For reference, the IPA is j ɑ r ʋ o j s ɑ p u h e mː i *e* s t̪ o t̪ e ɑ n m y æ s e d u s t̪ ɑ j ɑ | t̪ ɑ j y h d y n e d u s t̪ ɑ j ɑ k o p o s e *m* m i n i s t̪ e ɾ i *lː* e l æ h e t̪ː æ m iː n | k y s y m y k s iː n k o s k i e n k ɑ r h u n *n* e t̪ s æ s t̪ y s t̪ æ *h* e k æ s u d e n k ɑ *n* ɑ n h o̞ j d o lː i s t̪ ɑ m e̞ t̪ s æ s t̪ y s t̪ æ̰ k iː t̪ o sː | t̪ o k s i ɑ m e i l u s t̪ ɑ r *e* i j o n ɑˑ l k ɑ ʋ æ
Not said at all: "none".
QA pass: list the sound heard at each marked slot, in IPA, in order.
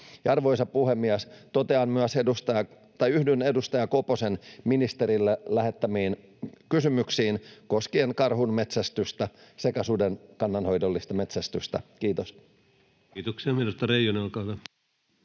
æ, n, lː, m, s, nː, e

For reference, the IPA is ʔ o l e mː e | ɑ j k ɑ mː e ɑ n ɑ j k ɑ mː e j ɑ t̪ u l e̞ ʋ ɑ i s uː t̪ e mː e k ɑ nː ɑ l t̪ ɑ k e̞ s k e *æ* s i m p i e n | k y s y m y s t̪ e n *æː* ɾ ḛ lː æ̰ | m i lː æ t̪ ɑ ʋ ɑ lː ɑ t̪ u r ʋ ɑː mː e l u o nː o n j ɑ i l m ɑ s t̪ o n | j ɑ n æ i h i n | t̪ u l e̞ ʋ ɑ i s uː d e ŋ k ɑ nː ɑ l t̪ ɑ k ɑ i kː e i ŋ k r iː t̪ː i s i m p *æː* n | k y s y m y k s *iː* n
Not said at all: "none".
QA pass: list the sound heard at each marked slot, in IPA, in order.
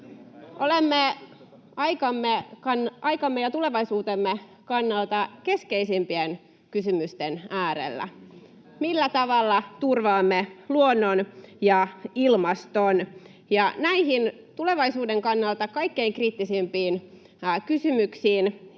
i, æː, iː, iː

